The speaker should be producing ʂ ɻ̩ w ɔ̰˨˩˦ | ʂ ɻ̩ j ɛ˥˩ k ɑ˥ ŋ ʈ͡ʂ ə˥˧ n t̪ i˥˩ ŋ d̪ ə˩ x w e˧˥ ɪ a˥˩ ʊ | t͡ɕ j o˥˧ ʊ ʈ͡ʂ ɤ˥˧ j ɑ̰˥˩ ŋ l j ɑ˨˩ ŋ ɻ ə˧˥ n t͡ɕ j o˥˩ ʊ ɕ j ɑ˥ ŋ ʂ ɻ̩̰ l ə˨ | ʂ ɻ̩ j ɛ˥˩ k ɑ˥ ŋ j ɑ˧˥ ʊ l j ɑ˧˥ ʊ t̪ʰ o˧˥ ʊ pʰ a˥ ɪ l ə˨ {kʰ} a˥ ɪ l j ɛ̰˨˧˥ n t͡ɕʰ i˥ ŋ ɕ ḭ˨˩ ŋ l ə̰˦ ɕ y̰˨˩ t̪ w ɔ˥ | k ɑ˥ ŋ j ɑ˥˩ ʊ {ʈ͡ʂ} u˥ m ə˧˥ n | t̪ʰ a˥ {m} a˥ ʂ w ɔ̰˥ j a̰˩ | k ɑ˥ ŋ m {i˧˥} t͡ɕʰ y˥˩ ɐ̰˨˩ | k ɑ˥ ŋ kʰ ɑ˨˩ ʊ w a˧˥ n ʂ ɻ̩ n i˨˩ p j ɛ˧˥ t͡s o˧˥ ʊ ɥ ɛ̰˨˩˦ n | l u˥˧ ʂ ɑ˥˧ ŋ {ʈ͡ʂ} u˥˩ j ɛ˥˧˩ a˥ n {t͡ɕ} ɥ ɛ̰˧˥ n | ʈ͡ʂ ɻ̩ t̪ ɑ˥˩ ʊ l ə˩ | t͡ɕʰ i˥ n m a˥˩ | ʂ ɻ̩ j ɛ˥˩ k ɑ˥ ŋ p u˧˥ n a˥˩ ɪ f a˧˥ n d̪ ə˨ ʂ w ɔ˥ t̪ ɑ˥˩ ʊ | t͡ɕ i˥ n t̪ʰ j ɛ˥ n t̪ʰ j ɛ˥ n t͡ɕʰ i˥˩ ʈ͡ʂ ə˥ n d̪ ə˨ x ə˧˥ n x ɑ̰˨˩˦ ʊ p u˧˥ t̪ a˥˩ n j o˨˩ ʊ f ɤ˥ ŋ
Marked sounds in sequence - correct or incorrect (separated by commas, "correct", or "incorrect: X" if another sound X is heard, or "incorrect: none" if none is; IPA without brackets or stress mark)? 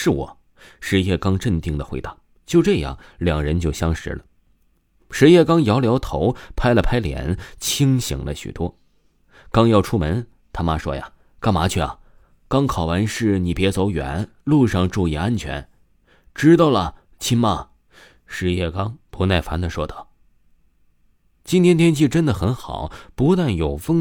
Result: incorrect: pʰ, incorrect: ʈ͡ʂʰ, correct, incorrect: a˧˥, correct, incorrect: t͡ɕʰ